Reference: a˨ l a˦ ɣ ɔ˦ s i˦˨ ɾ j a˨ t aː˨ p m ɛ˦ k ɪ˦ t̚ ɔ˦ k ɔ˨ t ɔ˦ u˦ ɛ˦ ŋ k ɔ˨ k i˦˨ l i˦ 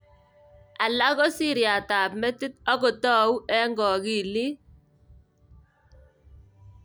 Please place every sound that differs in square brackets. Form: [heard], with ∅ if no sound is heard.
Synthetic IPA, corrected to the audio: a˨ l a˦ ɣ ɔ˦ s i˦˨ ɾ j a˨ t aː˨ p m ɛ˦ [t] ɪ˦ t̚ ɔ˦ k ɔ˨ t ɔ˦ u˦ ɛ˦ ŋ [ɡ] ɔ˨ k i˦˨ l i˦